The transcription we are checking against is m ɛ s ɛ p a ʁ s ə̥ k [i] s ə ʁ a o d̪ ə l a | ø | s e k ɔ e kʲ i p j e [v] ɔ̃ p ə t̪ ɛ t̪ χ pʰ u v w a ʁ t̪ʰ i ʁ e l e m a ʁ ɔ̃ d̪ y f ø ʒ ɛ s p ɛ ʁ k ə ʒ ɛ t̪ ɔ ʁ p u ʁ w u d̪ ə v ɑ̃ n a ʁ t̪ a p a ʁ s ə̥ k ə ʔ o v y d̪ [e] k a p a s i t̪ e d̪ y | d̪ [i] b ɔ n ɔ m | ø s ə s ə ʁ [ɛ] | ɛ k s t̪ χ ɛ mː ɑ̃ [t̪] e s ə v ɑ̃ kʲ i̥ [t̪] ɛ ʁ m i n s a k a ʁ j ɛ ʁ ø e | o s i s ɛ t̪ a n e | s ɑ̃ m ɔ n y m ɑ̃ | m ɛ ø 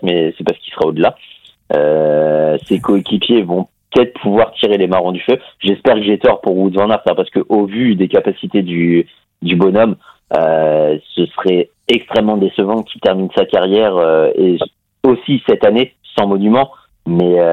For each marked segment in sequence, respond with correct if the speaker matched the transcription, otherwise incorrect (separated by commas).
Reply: correct, correct, correct, incorrect, correct, incorrect, correct